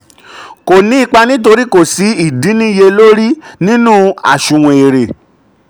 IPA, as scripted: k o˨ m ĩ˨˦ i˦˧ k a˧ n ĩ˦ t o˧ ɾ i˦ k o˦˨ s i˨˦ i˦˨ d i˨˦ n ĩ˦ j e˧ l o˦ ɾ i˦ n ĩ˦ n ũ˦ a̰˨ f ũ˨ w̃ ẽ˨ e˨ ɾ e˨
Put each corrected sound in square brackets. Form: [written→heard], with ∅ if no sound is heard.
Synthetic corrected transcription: k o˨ [m→n] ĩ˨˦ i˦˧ [k→k͡p] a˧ n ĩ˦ t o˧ ɾ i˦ k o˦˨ s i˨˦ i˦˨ d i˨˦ n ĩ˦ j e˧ l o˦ ɾ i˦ n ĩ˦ n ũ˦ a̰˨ [f→ʃ] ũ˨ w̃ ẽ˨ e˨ ɾ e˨